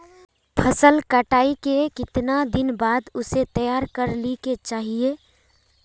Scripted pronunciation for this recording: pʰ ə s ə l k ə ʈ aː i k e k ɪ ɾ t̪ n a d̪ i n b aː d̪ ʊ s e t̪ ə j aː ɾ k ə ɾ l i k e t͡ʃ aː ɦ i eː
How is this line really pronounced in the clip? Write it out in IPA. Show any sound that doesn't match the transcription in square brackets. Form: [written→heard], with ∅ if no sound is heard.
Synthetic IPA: pʰ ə s ə l k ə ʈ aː i k e k ɪ [ɾ→∅] t̪ n a d̪ [i→ɪ] n b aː d̪ ʊ s e t̪ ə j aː ɾ k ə ɾ l i k e t͡ʃ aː ɦ i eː